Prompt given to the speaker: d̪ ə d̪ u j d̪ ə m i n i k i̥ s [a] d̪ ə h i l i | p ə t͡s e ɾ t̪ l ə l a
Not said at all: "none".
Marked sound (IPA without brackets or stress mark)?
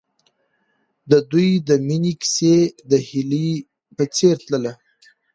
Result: e